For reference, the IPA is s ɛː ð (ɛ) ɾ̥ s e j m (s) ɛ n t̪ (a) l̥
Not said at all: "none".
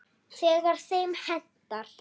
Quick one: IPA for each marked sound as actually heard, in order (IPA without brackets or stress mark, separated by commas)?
a, h, a